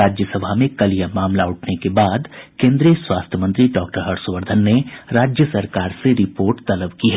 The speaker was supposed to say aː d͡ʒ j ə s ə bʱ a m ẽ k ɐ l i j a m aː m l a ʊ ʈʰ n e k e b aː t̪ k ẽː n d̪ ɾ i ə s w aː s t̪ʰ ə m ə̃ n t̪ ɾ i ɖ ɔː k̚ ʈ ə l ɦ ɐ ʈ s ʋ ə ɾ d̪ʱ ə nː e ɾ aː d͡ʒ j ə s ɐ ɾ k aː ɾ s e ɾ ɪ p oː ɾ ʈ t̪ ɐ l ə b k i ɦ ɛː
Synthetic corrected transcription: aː d͡ʒ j ə s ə bʱ a m ẽ k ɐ l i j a m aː m l a ʊ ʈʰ n e k e b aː d̪ k ẽː n d̪ ɾ i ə s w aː s t̪ʰ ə m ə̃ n t̪ ɾ i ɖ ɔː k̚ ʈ ə ɾ ɦ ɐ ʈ s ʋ ə ɾ d̪ʱ ə nː e ɾ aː d͡ʒ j ə s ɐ ɾ k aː ɾ s e ɾ ɪ p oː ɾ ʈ t̪ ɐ l ə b k i ɦ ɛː

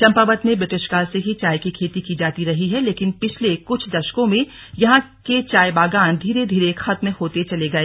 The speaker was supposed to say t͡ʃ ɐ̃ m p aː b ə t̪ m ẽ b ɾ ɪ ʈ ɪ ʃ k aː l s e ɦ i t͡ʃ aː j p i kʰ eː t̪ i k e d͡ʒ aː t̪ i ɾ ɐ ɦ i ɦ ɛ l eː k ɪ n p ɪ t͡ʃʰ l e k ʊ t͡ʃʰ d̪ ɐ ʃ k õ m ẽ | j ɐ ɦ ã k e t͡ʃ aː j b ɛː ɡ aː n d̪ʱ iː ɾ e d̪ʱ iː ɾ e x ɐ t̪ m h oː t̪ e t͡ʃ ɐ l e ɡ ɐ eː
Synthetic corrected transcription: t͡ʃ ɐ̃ m p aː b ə t̪ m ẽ b ɾ ɪ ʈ ɪ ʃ k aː l s e ɦ i t͡ʃ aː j k i kʰ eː t̪ i k i d͡ʒ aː t̪ i ɾ ɐ ɦ i ɦ ɛ l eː k ɪ n p ɪ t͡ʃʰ l e k ʊ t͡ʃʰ d̪ ɐ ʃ k õ m ẽ | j ɐ ɦ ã k e t͡ʃ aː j b aː ɡ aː n d̪ʱ iː ɾ e d̪ʱ iː ɾ e x ɐ t̪ m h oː t̪ e t͡ʃ ɐ l e ɡ ɐ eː

